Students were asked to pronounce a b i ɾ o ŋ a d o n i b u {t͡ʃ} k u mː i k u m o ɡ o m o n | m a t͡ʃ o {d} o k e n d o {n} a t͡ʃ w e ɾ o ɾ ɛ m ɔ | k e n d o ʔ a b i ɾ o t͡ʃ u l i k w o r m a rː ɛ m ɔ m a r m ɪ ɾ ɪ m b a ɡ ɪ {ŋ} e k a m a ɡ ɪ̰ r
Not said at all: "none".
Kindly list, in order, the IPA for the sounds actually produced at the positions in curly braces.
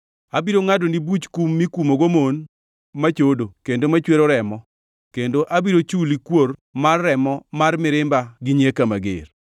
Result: t͡ʃ, d, m, ɲ

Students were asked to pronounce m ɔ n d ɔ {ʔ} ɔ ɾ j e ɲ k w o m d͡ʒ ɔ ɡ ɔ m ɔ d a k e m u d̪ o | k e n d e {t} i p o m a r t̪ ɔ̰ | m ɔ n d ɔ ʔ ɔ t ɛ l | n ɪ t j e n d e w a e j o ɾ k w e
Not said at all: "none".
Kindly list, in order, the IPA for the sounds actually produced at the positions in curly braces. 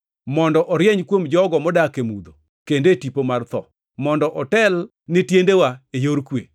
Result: ʔ, t

